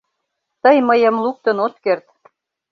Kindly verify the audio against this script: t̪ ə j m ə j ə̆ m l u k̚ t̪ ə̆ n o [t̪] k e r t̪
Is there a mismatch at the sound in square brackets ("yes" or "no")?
no